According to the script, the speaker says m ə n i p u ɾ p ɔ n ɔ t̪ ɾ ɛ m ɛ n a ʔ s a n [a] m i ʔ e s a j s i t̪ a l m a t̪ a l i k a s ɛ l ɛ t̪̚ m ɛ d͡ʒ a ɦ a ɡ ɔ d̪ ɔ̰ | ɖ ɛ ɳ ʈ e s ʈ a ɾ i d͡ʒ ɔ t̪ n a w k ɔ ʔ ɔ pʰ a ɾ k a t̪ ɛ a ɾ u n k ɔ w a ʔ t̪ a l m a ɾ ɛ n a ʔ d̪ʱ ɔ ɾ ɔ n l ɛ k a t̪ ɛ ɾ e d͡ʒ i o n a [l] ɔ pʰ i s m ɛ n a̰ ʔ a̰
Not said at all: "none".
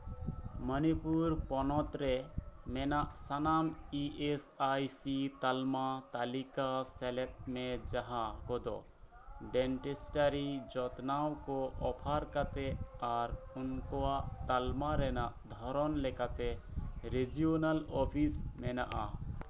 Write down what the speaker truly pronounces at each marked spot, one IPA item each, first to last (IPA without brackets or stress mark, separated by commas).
a, l